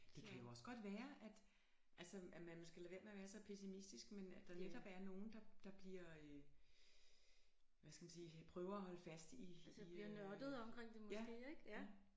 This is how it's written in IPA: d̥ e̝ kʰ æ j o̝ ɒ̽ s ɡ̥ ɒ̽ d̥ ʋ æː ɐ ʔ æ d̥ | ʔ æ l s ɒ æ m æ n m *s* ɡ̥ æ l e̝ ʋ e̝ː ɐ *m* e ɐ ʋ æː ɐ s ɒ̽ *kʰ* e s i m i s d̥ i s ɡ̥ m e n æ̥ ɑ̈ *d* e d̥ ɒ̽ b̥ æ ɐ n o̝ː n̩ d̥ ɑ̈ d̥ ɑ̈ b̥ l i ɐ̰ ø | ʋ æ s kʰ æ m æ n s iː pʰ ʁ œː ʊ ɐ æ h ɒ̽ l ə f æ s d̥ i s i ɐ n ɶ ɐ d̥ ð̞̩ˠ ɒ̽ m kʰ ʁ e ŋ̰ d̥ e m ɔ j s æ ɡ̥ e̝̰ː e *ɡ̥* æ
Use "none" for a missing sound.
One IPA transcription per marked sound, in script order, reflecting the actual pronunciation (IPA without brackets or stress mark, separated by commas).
s, m, pʰ, n, ɡ̥